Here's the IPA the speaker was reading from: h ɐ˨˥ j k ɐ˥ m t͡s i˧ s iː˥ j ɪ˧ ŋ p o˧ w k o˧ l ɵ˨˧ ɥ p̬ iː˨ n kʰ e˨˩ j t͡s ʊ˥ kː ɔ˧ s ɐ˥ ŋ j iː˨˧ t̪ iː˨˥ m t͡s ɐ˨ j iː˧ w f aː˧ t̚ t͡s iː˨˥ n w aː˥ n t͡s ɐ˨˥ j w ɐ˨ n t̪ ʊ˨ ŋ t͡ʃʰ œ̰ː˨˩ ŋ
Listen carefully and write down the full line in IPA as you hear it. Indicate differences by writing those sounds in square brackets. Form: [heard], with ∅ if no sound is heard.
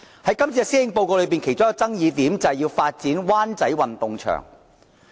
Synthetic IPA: h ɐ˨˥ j k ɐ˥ m t͡s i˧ s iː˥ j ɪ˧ ŋ p o˧ w k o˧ l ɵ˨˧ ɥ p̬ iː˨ n kʰ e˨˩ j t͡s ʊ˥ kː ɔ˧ [t͡s] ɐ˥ ŋ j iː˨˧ t̪ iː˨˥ m t͡s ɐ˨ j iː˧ w f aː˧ t̚ t͡s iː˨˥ n w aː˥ n t͡s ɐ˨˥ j w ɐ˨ n t̪ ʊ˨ ŋ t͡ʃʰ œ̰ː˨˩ ŋ